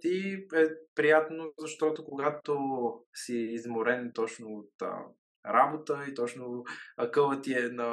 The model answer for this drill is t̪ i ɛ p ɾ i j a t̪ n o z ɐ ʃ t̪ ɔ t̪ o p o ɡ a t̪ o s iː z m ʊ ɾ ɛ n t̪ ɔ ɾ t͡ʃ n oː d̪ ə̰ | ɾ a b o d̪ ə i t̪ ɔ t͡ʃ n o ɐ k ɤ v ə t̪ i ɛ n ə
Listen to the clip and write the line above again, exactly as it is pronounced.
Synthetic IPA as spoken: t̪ i ɛ p ɾ i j a t̪ n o z ɐ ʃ t̪ ɔ t̪ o k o ɡ a t̪ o s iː z m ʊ ɾ ɛ n t̪ ɔ t͡ʃ n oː t̪ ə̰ | ɾ a b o t̪ ə i t̪ ɔ t͡ʃ n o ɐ k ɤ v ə t̪ i ɛ n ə